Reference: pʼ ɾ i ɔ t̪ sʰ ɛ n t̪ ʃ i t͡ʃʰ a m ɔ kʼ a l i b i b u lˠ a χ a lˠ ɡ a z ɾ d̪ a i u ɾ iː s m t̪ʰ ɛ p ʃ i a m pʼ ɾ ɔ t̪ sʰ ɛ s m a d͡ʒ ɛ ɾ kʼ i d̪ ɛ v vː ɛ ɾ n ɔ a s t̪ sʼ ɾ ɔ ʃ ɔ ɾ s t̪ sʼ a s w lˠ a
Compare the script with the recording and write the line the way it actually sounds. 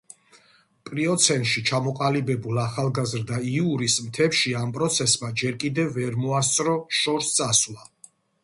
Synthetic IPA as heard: pʼ ɾ i ɔ t̪ sʰ ɛ n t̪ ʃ i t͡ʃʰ a m ɔ qʼ a l i b ɛ b u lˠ a χ a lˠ ɡ a z ɾ d̪ a i u ɾ i s m t̪ʰ ɛ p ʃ i a m pʼ ɾ ɔ t̪ sʰ ɛ s m a d͡ʒ ɛ ɾ kʼ i d̪ ɛ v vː ɛ ɾ m ɔ a s t̪ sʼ ɾ ɔ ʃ ɔ ɾ s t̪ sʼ a s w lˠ a